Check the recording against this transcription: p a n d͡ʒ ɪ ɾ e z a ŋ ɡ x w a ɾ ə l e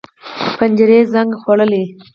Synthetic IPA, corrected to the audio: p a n d͡ʒ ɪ ɾ e z a ŋ ɡ x w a ɽ ə l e

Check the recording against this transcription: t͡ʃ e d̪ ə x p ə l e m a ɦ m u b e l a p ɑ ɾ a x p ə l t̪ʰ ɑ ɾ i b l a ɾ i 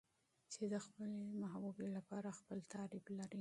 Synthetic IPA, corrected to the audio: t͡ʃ e d̪ ə x p ə l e m a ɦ b u b e l a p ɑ ɾ a x p ə l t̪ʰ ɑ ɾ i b l a ɾ i

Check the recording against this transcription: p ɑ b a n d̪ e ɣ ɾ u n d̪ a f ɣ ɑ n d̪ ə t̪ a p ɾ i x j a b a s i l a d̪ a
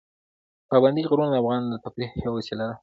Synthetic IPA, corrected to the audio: p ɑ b a n d̪ i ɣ ɾ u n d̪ a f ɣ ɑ n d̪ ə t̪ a p ɾ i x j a w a s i l a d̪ a

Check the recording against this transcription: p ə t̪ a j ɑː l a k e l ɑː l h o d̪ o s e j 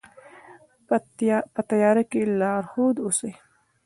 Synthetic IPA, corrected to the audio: p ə t̪ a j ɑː ɾ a k e l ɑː ɾ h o d̪ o s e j

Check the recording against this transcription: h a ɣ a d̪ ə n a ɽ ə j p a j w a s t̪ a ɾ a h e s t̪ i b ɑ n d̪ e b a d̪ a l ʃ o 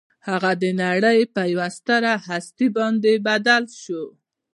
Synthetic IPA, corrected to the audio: h a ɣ a d̪ ə n a ɽ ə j p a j w a s t̪ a ɾ a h a s t̪ i b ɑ n d̪ e b a d̪ a l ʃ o

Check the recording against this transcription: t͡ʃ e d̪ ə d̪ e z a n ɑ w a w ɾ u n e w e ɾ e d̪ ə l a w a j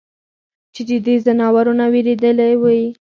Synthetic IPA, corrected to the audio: t͡ʃ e d̪ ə d̪ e z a n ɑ w a ɾ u n a w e ɾ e d̪ ə l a w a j

